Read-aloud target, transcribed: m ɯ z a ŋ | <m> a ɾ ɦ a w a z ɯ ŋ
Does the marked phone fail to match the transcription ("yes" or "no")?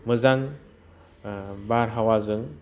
yes